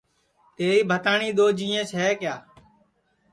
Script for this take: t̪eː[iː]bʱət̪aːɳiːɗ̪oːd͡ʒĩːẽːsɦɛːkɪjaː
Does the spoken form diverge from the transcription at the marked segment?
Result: no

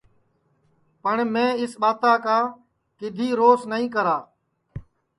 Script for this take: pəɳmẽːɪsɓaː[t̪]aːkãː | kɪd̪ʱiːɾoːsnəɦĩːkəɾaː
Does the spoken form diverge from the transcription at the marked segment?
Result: no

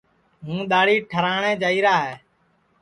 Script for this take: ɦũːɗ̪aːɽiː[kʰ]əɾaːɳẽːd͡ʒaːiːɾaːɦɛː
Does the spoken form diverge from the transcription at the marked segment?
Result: yes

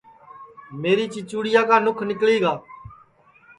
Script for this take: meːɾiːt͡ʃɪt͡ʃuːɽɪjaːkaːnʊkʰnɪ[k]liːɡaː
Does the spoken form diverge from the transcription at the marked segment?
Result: no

